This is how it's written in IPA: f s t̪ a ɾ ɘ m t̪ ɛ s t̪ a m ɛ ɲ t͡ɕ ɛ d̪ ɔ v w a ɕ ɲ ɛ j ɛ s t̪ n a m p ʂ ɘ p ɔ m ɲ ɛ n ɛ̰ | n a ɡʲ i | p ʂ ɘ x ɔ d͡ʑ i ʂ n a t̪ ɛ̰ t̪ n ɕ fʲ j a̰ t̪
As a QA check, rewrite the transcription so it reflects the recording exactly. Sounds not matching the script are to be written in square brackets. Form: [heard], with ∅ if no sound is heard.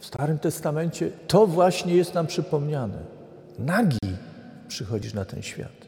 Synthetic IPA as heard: f s t̪ a ɾ ɘ m t̪ ɛ s t̪ a m ɛ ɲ t͡ɕ ɛ [t̪] ɔ v w a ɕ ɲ ɛ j ɛ s t̪ n a m p ʂ ɘ p ɔ m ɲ [a] n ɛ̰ | n a ɡʲ i | p ʂ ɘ x ɔ d͡ʑ i ʂ n a t̪ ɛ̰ [∅] n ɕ fʲ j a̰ t̪